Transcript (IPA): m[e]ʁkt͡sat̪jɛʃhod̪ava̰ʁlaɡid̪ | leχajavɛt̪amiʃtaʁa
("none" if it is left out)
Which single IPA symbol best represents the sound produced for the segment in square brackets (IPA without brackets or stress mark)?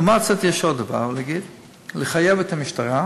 a